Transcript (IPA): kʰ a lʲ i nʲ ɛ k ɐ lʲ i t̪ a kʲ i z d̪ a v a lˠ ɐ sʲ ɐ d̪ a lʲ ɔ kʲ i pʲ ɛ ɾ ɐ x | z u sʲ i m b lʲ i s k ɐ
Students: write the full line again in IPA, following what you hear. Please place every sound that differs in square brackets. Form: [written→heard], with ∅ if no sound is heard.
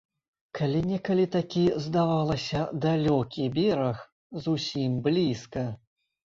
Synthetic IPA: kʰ a lʲ i nʲ ɛ k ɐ lʲ i t̪ a kʲ i z d̪ a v a lˠ ɐ sʲ ɐ d̪ a lʲ ɔ kʲ i [pʲ→bʲ] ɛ ɾ ɐ x | z u sʲ i m b lʲ i s k ɐ